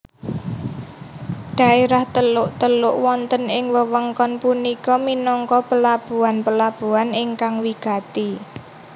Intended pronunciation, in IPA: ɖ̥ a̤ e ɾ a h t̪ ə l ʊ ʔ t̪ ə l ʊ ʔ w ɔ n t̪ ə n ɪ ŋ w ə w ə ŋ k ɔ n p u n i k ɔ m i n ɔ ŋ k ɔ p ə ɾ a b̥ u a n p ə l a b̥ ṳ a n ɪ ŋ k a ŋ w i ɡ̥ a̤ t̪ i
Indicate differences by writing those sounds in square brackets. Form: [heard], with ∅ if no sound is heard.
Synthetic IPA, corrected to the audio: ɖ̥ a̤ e ɾ a h t̪ ə l ʊ ʔ t̪ ə l ʊ ʔ w ɔ n t̪ ə n ɪ ŋ w ə w ə ŋ k ɔ n p u n i k ɔ m i n ɔ ŋ k ɔ p ə [l] a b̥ u a n p ə l a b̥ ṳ a n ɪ ŋ k a ŋ w i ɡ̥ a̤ t̪ i